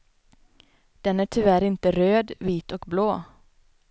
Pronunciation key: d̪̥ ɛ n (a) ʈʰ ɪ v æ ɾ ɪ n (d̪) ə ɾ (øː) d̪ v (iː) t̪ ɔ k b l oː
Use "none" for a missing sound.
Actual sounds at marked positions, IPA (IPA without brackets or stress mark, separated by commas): æ, t̪, øː, iː